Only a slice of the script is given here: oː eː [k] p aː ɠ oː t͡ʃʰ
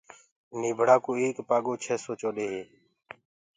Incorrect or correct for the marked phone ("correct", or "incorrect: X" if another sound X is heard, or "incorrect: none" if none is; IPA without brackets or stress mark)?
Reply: correct